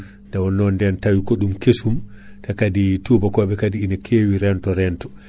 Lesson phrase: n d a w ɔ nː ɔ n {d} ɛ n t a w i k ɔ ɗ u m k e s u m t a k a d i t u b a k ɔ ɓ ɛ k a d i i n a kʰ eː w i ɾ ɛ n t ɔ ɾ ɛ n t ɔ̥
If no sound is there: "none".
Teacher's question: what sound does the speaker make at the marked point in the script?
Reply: d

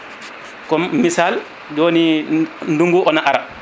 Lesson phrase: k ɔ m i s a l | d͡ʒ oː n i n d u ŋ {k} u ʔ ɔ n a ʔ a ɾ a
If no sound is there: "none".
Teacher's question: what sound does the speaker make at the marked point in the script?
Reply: ɡ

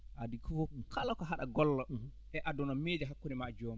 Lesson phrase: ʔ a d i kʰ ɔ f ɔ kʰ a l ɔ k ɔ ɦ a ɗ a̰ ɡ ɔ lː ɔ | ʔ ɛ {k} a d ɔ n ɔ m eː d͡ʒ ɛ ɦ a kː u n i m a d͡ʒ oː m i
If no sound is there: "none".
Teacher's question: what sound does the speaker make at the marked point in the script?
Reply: ʔ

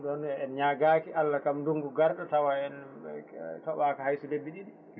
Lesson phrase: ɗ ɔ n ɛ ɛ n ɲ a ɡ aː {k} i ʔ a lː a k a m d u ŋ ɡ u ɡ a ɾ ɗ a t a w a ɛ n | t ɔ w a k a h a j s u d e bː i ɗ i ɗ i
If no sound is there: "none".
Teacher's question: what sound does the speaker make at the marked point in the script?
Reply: k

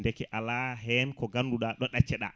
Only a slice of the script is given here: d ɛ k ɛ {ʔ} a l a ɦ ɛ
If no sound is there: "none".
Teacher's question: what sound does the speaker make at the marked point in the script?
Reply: ʔ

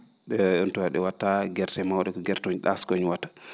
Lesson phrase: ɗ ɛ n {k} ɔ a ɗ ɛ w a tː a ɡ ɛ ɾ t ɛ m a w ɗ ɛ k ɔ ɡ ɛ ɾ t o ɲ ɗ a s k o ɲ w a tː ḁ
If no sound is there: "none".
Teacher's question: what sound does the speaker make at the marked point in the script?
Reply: t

